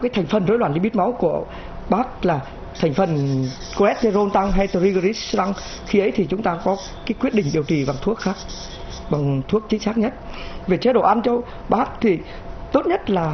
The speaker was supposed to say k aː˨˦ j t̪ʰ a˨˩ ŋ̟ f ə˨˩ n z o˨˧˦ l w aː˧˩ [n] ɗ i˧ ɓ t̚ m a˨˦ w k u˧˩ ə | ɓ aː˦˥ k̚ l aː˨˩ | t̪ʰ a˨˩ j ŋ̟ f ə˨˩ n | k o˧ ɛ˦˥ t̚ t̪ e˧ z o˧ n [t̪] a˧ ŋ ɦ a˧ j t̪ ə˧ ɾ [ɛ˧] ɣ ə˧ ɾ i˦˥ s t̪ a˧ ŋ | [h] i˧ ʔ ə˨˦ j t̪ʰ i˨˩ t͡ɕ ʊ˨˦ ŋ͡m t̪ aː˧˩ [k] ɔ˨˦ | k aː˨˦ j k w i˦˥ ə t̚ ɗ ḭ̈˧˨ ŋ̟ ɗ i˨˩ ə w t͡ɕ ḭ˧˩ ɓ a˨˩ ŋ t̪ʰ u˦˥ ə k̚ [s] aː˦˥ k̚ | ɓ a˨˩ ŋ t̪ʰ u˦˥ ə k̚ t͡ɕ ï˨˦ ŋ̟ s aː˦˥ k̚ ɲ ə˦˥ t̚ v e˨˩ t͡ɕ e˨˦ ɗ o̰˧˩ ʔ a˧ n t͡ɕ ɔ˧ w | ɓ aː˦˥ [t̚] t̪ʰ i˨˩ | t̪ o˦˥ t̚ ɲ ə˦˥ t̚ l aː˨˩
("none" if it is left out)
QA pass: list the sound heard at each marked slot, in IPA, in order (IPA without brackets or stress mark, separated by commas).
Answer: n, t̪, i˧, x, k, x, k̚